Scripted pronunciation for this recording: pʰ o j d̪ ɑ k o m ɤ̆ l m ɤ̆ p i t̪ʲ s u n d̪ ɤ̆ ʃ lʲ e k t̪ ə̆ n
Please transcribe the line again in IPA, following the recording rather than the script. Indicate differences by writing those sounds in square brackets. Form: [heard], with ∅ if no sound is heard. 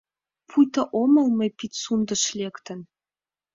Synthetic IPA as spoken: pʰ [u] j [t̪] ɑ [ʔ] o m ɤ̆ l m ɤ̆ p i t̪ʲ s u n d̪ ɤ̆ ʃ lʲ e k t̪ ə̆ n